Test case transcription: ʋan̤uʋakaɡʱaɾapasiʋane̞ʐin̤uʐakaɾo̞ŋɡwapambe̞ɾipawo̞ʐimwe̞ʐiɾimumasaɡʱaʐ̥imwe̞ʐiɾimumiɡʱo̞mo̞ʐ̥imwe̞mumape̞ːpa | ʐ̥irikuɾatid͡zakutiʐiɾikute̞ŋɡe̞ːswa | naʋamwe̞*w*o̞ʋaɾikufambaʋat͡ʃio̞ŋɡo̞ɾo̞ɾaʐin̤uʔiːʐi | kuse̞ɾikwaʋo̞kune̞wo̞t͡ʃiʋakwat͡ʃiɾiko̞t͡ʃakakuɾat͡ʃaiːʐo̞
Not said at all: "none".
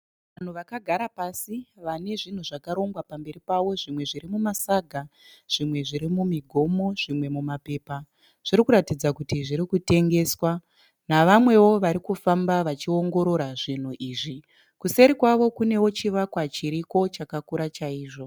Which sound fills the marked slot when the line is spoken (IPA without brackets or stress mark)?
w